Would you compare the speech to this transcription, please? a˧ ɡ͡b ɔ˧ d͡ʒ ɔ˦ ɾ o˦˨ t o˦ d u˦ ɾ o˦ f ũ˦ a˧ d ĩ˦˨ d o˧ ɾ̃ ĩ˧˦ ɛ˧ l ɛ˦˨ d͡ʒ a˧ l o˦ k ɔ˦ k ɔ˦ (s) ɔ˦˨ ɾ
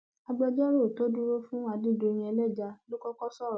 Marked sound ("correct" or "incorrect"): correct